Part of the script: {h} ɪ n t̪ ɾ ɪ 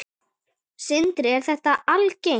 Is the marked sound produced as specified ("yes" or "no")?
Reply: no